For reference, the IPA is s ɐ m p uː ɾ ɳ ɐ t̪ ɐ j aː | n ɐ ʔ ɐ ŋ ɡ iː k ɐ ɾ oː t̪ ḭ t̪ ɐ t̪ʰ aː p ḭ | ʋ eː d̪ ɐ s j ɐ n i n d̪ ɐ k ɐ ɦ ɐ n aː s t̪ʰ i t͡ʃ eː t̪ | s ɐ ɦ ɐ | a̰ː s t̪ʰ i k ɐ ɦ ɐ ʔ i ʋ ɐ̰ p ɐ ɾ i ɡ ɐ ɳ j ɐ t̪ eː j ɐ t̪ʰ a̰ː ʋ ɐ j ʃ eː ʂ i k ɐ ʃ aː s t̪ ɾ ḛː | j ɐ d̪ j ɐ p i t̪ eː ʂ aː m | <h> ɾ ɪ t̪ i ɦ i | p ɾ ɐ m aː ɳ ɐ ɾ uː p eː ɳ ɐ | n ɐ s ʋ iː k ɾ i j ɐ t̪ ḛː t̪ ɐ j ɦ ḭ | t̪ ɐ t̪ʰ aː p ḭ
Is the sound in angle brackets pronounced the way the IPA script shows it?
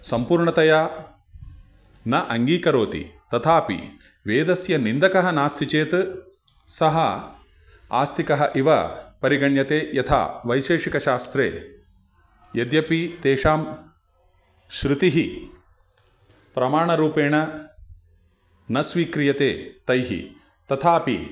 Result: no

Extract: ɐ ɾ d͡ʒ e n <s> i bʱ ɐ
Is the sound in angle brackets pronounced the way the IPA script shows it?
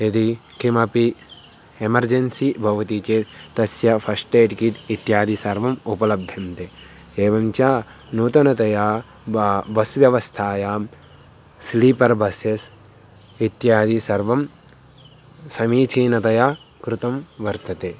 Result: yes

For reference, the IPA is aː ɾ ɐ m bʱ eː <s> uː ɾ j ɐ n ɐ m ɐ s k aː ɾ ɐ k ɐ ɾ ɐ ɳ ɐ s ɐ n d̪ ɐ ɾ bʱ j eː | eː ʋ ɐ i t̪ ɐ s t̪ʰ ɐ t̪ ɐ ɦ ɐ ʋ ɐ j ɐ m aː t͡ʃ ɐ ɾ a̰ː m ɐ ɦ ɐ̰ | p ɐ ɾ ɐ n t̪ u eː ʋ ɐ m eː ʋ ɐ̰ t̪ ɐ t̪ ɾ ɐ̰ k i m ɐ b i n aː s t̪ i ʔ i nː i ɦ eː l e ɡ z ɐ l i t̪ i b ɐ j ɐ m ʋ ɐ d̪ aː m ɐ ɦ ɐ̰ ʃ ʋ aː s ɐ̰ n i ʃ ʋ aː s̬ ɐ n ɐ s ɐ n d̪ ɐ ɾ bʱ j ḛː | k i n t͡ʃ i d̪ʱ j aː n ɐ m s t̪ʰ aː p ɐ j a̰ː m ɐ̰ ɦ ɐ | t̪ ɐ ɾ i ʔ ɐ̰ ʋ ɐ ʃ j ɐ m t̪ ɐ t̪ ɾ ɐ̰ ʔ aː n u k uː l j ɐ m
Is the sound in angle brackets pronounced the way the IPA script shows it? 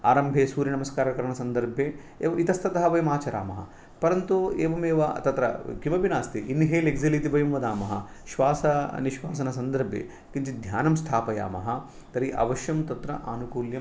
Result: yes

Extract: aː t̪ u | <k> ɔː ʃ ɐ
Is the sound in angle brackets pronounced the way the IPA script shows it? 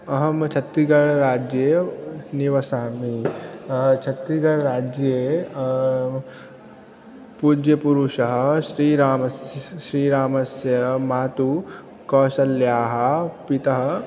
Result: yes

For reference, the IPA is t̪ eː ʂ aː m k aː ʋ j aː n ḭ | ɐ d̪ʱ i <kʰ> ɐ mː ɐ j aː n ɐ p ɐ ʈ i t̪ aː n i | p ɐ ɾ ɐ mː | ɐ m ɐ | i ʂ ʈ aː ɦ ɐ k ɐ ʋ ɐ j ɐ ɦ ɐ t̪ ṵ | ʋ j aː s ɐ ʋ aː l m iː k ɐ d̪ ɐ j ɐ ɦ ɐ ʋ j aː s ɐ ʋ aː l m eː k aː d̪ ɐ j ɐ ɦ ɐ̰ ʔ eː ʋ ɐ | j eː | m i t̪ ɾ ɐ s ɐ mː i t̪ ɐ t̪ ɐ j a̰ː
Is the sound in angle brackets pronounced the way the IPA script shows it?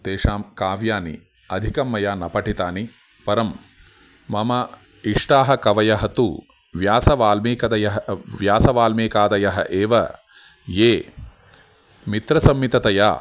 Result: no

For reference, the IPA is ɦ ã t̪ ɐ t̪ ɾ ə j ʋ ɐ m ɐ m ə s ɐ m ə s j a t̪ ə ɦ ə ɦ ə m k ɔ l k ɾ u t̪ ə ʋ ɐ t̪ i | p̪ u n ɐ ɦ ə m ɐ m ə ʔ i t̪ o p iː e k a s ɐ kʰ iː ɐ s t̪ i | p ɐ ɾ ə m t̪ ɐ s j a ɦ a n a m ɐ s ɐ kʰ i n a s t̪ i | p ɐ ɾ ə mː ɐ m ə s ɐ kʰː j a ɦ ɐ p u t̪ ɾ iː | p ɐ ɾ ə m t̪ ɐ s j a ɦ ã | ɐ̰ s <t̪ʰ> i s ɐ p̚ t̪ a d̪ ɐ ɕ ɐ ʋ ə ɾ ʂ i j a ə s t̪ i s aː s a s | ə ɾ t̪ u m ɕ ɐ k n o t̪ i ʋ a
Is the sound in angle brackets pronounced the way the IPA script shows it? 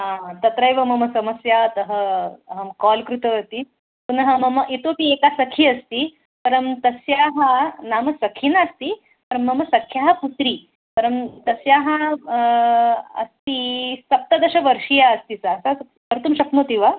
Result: no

